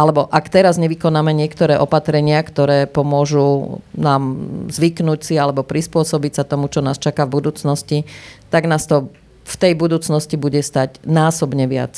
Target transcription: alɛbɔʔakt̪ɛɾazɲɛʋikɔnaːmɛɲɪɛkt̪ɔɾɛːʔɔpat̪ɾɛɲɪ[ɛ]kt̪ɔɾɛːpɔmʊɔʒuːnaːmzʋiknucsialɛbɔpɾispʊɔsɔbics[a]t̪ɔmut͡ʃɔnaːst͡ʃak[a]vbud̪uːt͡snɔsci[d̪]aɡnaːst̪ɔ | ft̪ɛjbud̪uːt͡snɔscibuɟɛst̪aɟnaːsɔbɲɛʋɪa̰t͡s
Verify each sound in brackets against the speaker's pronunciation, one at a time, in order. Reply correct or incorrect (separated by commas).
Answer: incorrect, correct, correct, incorrect